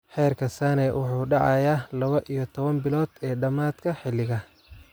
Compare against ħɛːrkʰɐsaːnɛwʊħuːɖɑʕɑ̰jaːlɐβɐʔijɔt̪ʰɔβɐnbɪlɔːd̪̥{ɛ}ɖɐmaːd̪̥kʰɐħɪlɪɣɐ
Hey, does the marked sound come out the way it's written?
no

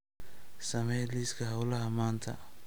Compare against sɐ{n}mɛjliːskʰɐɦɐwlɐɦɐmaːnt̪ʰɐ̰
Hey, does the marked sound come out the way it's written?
no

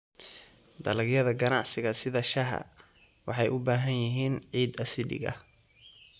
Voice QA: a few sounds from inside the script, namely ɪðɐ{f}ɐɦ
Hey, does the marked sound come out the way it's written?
no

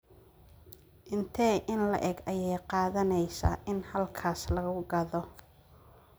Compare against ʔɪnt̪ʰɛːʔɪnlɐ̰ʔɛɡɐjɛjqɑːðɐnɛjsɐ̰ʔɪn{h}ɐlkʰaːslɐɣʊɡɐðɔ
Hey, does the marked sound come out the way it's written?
yes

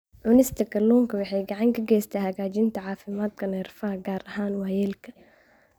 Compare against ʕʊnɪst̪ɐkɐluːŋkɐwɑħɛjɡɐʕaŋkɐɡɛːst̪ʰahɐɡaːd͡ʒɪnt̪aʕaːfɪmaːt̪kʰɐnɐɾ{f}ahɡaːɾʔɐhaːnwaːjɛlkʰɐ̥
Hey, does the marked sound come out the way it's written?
yes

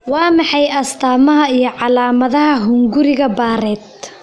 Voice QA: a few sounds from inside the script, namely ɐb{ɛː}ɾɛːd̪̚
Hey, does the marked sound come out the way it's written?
no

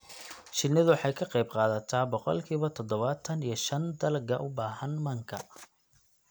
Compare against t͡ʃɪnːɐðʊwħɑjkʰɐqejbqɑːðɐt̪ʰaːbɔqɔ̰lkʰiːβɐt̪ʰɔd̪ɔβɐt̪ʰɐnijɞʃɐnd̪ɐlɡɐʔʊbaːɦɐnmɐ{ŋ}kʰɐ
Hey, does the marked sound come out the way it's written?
yes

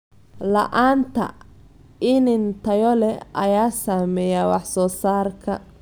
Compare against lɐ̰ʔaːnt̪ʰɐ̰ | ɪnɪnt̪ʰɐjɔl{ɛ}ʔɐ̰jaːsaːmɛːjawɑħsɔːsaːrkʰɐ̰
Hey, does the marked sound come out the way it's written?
yes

